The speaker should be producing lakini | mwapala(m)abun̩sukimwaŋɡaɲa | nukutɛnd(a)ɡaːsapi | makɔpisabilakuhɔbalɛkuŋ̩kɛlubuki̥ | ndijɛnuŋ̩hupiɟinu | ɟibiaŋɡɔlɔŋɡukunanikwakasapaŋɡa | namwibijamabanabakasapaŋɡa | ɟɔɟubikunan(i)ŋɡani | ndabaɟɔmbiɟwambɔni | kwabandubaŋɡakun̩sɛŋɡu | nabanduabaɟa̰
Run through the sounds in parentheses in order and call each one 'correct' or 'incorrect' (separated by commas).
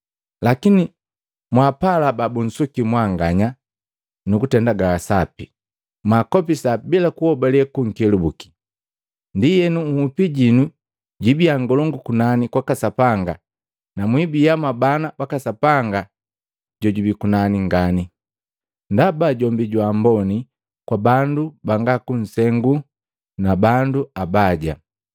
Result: incorrect, correct, correct